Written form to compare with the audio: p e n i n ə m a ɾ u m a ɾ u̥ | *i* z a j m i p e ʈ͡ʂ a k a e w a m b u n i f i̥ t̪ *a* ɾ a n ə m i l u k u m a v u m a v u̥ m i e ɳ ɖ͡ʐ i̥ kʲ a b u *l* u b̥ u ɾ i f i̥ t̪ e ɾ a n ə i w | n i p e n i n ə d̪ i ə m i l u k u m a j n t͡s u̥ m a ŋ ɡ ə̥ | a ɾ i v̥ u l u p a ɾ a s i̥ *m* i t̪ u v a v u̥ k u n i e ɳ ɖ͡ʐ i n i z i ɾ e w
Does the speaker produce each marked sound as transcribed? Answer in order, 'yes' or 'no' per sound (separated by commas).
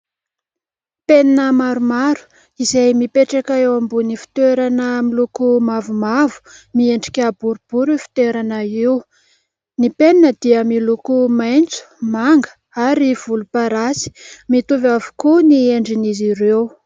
yes, no, no, yes